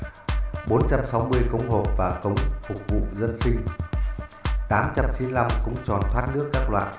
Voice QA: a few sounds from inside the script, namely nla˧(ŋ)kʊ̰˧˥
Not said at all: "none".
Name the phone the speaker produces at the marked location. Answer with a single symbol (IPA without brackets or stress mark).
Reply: m